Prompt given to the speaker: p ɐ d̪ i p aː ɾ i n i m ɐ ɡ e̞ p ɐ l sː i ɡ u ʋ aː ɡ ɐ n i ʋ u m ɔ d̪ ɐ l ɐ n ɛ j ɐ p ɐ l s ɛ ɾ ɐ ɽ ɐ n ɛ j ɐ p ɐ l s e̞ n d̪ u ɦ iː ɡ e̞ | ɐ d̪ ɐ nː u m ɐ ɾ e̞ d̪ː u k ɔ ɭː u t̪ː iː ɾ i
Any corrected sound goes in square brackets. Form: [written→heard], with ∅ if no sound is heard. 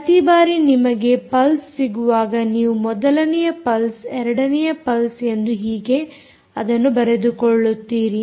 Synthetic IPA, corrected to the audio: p ɐ [d̪→t̪] i [p→b] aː ɾ i n i m ɐ ɡ e̞ p ɐ l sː i ɡ u ʋ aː ɡ ɐ n [i→iː] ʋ u m ɔ d̪ ɐ l ɐ n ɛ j ɐ p ɐ l s ɛ ɾ ɐ ɽ ɐ n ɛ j ɐ p ɐ l s e̞ n d̪ u ɦ iː ɡ e̞ | ɐ d̪ ɐ nː u [m→b] ɐ ɾ e̞ [d̪ː→d̪] u k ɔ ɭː u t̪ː iː ɾ i